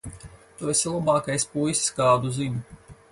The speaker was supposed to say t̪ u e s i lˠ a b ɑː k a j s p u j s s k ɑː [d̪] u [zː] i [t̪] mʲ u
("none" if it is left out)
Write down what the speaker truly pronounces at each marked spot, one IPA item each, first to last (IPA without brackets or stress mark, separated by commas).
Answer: d̪, z, none